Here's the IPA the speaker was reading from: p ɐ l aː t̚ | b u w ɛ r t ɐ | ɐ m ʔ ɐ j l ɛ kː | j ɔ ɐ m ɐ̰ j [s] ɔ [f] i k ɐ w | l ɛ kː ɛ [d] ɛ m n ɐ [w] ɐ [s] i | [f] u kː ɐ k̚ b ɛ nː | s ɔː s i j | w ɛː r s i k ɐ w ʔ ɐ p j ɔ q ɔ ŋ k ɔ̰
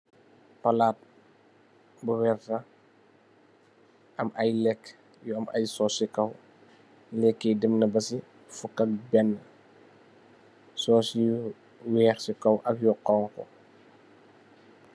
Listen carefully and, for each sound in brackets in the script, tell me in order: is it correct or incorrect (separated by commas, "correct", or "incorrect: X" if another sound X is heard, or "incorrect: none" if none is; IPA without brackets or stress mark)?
correct, incorrect: s, correct, incorrect: b, correct, correct